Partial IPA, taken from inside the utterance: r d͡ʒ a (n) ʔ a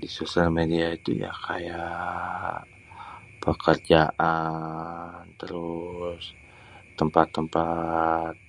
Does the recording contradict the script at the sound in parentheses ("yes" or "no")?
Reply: yes